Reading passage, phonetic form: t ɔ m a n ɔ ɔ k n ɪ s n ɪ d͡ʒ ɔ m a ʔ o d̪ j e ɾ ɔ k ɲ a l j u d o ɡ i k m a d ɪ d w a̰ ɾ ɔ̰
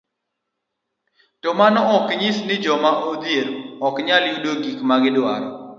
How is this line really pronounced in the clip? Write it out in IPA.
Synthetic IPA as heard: t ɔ m a n ɔ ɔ k ɲ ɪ s n ɪ d͡ʒ ɔ m a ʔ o d̪ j e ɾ ɔ k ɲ a l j u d o ɡ i k m a ɡ ɪ d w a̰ ɾ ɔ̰